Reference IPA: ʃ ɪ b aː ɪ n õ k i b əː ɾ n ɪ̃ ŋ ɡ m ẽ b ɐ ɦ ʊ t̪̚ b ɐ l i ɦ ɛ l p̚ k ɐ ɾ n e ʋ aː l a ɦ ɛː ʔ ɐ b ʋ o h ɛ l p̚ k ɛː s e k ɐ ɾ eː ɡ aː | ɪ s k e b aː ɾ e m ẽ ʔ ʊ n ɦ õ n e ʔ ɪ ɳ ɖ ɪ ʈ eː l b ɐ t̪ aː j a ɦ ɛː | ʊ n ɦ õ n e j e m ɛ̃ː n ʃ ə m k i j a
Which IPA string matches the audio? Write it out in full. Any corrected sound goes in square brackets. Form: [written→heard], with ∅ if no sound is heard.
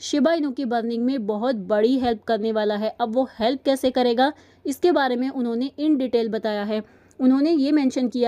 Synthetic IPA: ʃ ɪ b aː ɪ n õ k i b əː ɾ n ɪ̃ ŋ ɡ m ẽ b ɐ ɦ ʊ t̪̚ b ɐ [l→ɽ] i ɦ ɛ l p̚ k ɐ ɾ n e ʋ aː l a ɦ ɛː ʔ ɐ b ʋ o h ɛ l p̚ k ɛː s e k ɐ ɾ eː ɡ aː | ɪ s k e b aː ɾ e m ẽ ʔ ʊ n ɦ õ n e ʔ ɪ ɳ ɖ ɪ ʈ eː l b ɐ t̪ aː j a ɦ ɛː | ʊ n ɦ õ n e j e m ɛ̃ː n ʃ ə [m→n] k i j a

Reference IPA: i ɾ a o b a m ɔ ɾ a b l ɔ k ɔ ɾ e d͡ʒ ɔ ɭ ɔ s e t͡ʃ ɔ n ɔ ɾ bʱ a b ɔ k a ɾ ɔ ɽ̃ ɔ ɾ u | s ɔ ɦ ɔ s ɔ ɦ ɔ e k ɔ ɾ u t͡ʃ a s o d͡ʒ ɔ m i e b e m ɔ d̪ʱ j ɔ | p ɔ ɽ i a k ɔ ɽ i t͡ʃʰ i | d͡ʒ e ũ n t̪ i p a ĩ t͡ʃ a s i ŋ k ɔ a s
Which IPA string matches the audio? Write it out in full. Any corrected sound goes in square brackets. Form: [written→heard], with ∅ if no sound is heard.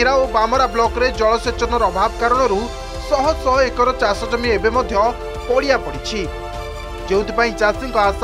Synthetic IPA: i ɾ a o b a m ɔ ɾ a b l ɔ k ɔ ɾ e d͡ʒ ɔ ɭ ɔ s e t͡ʃ ɔ n ɔ ɾ bʱ a b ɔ k a ɾ ɔ ɽ̃ ɔ ɾ u | s ɔ ɦ ɔ s ɔ ɦ ɔ e k ɔ ɾ [u→ɔ] t͡ʃ a s [o→ɔ] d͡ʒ ɔ m i e b e m ɔ d̪ʱ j ɔ | p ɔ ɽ i a [k→p] ɔ ɽ i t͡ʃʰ i | d͡ʒ e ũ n t̪ i p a ĩ t͡ʃ a s i ŋ k ɔ a s

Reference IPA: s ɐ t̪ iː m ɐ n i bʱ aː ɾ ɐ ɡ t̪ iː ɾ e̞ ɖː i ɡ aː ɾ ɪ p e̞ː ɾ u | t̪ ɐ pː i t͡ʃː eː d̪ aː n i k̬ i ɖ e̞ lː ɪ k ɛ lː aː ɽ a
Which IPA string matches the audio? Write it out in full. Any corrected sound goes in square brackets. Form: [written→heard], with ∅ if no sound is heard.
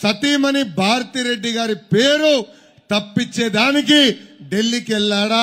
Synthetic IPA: s ɐ t̪ iː m ɐ n i bʱ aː ɾ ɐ [ɡ→∅] t̪ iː ɾ e̞ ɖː i ɡ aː ɾ [ɪ→i] p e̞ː ɾ u | t̪ ɐ pː i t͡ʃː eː d̪ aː n i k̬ i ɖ e̞ lː [ɪ→i] k ɛ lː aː ɽ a

